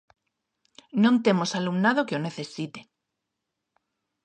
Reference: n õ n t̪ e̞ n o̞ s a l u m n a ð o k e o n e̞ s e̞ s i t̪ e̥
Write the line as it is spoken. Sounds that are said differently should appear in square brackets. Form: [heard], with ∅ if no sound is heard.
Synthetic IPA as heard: n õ n t̪ e̞ [m] o̞ s a l u m n a ð o k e o n e̞ [θ] e̞ s i t̪ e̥